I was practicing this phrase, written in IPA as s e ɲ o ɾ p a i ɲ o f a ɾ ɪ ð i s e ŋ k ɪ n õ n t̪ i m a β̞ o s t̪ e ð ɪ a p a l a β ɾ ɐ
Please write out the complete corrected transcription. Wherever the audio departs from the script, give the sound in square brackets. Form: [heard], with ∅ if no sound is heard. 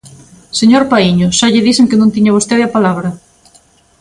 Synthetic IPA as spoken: s e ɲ o ɾ p a i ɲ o [ʃ] a [ʎ] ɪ ð i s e ŋ k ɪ n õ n t̪ i [ɲ] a β̞ o s t̪ e ð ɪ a p a l a β ɾ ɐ